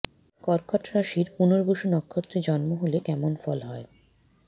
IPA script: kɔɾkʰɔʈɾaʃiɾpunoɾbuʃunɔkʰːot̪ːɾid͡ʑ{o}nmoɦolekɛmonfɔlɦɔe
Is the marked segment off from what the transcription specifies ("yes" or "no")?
yes